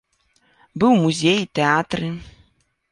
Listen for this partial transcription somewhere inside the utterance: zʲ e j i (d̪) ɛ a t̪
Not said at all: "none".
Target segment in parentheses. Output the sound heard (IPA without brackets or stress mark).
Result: t̪